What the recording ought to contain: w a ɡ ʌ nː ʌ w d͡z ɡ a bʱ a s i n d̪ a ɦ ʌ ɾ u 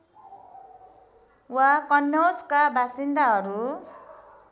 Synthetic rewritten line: w a k ʌ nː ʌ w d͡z k a bʱ a s i n d̪ a ɦ ʌ ɾ u